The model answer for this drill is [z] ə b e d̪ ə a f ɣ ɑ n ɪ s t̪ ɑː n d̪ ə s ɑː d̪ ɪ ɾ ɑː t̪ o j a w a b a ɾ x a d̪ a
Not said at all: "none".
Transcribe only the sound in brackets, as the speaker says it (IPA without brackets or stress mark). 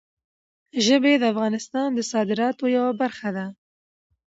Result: ʒ